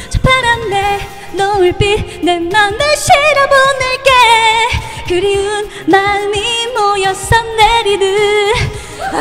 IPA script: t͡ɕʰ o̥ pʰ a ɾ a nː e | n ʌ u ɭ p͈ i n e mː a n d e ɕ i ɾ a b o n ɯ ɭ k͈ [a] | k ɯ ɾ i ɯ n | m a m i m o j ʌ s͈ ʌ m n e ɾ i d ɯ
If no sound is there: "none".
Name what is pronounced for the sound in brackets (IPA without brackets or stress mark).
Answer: e